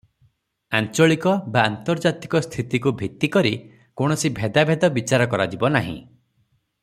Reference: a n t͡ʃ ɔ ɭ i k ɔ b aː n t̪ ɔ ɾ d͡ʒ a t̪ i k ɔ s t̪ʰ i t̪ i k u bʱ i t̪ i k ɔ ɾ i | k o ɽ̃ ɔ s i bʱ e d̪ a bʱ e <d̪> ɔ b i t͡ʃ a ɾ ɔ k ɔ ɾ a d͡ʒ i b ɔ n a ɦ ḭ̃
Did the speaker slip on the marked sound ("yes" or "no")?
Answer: no